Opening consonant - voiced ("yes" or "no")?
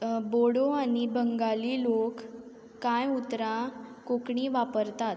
yes